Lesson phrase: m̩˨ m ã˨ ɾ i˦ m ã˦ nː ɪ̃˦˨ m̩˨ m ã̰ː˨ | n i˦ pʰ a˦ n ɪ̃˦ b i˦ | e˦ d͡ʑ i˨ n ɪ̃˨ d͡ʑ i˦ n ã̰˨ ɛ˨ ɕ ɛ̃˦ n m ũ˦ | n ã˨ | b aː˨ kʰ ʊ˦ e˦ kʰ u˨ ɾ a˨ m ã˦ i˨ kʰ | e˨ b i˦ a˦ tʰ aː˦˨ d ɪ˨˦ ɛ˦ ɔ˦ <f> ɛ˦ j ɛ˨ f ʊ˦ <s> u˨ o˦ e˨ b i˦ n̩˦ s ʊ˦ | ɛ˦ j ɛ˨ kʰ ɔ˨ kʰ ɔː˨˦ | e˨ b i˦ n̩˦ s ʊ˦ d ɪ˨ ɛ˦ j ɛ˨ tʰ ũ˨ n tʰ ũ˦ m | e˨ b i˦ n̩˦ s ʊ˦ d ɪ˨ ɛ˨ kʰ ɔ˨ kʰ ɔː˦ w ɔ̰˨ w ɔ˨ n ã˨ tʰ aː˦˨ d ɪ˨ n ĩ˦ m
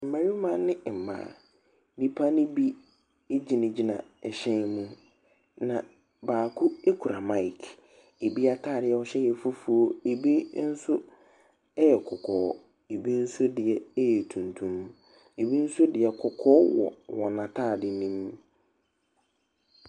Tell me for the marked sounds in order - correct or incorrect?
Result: incorrect: ɕ, incorrect: f

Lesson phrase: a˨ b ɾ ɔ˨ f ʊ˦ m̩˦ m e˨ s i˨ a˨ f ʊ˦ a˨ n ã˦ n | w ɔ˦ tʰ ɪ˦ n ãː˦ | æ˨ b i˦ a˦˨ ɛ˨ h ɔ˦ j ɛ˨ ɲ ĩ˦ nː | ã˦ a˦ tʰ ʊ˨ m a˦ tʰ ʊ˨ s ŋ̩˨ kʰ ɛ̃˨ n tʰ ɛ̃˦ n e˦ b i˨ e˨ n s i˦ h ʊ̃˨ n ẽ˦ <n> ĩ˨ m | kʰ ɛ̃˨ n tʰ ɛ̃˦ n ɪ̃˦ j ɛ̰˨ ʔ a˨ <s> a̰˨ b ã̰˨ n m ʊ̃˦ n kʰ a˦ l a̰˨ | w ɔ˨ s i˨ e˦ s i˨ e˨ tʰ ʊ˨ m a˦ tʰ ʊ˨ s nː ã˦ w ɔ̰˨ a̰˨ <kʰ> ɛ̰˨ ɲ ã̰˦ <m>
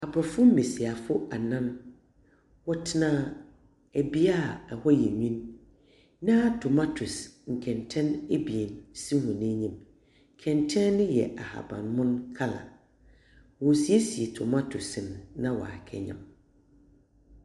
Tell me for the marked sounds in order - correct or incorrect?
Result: incorrect: ɲ, incorrect: h, correct, correct

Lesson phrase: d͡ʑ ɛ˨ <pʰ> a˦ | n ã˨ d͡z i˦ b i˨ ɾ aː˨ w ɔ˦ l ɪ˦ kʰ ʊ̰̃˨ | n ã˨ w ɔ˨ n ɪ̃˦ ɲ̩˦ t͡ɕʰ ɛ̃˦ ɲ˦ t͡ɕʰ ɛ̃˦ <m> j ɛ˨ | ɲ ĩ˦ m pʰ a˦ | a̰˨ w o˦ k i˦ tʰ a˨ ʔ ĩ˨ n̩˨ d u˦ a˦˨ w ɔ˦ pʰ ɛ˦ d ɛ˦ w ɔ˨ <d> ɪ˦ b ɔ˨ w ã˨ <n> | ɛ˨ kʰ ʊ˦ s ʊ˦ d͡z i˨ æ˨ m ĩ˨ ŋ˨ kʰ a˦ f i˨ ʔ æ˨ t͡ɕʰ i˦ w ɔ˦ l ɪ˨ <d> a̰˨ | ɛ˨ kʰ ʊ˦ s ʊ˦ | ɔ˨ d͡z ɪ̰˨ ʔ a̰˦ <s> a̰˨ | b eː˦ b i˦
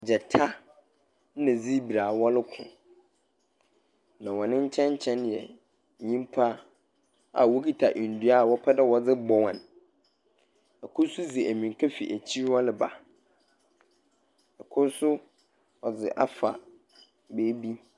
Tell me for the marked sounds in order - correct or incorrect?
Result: incorrect: tʰ, incorrect: n, incorrect: d͡z, correct, incorrect: b, incorrect: f

